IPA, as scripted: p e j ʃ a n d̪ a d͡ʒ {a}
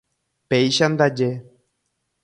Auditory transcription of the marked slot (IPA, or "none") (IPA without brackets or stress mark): e